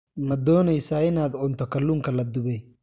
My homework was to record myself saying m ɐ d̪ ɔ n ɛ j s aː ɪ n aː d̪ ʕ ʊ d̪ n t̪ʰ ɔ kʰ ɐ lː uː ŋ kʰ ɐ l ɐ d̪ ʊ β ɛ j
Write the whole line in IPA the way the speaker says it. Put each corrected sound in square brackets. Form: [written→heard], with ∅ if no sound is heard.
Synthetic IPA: m ɐ d̪ [ɔ→ɔː] n ɛ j s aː ɪ n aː d̪ ʕ ʊ [d̪→∅] n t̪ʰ ɔ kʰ ɐ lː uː ŋ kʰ ɐ l ɐ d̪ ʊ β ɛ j